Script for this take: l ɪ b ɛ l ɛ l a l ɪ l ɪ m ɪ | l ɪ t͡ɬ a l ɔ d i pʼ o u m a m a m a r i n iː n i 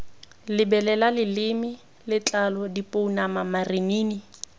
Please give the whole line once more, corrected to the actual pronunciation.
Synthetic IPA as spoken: l ɪ b ɛ l ɛ l a l ɪ l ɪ m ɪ | l ɪ t͡ɬ a l ɔ d i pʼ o u n a m a m a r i n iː n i